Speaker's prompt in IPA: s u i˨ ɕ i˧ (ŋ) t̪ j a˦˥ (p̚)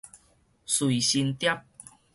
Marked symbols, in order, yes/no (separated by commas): no, yes